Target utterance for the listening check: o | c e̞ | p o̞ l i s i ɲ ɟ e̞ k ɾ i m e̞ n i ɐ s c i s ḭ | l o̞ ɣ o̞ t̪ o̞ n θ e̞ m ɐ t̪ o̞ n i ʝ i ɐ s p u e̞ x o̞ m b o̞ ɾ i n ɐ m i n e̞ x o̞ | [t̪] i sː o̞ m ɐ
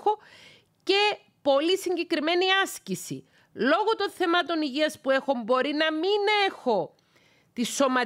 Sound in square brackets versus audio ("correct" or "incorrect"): correct